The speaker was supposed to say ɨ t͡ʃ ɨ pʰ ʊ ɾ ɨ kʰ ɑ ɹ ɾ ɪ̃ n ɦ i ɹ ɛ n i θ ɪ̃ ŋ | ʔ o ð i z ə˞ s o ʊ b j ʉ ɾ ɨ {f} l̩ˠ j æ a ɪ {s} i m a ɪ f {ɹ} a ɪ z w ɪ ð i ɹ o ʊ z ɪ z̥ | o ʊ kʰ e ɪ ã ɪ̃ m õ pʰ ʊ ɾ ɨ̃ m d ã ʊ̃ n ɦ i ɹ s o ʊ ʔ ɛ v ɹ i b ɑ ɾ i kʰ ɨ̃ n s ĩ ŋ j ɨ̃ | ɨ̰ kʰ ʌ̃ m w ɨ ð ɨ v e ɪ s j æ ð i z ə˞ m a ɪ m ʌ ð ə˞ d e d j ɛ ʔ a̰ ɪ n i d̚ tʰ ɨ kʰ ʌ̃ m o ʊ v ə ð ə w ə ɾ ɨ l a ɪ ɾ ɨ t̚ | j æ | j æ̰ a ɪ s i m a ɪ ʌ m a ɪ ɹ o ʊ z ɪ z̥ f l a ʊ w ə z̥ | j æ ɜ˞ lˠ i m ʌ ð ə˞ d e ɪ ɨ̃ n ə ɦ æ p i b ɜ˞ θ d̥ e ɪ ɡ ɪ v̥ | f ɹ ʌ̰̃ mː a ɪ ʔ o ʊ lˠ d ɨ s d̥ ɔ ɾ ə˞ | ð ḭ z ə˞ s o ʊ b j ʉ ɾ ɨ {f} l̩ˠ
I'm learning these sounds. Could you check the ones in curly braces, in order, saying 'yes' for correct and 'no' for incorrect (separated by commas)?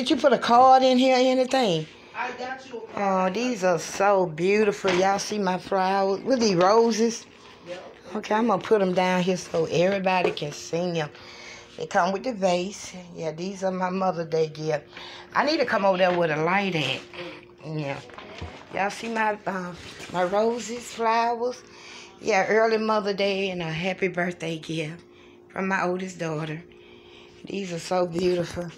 yes, yes, yes, yes